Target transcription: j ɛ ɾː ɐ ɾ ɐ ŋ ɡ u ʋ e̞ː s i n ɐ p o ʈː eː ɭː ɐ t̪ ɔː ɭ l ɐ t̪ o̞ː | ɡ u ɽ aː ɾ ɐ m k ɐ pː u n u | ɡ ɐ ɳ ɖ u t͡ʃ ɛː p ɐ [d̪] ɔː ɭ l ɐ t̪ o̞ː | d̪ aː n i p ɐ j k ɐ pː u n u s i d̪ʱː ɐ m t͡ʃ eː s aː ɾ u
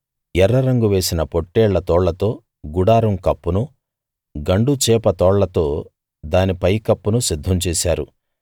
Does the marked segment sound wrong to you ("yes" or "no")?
yes